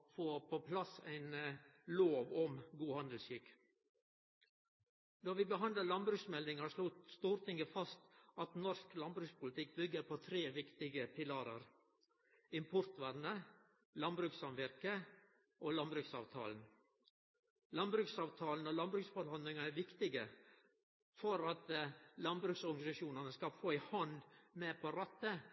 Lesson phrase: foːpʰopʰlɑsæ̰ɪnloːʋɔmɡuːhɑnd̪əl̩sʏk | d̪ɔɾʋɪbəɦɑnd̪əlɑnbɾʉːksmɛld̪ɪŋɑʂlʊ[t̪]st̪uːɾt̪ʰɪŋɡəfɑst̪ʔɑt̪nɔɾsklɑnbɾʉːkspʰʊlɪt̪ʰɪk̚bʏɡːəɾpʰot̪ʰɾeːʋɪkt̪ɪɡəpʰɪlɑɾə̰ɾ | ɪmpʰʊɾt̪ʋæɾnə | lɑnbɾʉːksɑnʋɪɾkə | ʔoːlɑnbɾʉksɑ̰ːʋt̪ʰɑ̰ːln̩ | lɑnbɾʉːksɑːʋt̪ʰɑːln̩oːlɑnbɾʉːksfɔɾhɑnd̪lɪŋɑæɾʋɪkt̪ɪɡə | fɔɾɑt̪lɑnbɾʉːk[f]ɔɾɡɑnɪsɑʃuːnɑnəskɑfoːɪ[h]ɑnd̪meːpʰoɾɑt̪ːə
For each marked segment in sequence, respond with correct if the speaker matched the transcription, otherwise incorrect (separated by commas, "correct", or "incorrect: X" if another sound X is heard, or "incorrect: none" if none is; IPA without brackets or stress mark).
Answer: correct, incorrect: s, correct